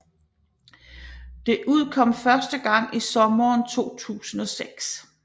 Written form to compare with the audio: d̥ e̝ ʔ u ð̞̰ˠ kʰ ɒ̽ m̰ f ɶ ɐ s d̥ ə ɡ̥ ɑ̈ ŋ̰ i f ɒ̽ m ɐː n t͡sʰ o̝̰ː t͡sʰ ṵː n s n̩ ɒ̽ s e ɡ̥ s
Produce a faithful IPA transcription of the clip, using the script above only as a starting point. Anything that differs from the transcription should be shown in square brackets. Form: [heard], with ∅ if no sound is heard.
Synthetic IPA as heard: d̥ e̝ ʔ u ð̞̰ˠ kʰ ɒ̽ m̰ f ɶ ɐ s d̥ ə ɡ̥ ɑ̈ ŋ̰ i [s] ɒ̽ m ɐː n t͡sʰ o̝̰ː t͡sʰ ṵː [∅] s n̩ ɒ̽ s e ɡ̥ s